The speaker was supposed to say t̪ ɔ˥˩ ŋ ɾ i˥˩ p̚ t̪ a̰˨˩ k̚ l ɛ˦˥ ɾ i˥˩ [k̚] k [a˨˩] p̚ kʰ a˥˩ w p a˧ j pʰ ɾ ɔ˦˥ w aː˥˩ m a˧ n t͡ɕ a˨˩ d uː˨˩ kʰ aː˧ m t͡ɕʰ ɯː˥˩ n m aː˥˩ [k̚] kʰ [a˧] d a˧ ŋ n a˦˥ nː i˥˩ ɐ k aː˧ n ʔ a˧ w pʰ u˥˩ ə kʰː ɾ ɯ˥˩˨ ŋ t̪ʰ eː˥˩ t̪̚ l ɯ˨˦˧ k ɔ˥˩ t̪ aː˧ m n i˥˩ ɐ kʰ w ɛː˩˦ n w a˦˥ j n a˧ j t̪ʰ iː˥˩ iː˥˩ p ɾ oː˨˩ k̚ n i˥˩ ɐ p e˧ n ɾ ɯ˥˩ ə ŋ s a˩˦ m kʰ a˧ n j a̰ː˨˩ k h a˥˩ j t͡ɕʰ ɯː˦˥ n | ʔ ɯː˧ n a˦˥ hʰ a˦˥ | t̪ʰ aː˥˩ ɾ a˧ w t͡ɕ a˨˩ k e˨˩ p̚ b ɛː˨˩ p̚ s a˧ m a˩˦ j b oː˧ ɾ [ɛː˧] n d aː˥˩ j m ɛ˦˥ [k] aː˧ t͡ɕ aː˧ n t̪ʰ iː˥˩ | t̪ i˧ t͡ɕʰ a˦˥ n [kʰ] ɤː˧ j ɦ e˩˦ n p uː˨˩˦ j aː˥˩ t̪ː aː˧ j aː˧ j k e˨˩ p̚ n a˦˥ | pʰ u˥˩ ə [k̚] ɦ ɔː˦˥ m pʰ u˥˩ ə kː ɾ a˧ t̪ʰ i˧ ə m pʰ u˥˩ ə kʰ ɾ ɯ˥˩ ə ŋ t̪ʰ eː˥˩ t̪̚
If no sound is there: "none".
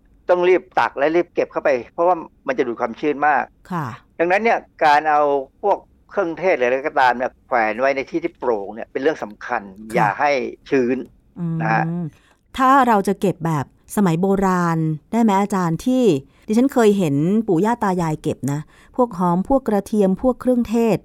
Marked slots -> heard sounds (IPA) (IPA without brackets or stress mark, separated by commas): p̚, e˨˩, k̚, a˥˩, aː˧, ʔ, kʰ, k̚